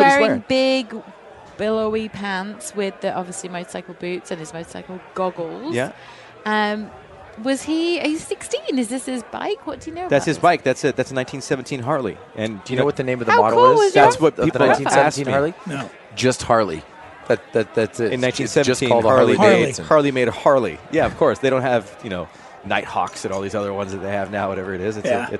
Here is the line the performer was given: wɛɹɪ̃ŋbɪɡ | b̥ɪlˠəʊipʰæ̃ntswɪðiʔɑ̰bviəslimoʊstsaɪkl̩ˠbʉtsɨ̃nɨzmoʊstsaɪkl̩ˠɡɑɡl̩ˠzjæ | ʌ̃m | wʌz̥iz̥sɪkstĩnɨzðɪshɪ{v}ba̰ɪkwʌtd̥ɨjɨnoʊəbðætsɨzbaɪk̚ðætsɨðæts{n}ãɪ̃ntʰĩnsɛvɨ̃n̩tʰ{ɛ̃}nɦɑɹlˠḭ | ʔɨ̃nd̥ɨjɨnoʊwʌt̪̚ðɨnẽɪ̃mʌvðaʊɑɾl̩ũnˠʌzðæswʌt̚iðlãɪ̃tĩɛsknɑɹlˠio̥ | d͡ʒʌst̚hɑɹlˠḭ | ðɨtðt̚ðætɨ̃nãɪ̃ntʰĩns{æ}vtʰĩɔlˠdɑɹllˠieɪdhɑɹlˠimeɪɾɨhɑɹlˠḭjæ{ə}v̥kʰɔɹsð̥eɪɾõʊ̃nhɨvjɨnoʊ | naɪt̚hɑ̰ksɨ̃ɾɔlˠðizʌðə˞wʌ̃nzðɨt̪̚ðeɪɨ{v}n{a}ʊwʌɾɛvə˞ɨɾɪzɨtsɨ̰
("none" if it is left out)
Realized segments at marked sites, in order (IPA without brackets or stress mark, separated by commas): z, n, ĩ, ɛ, ʌ, v, a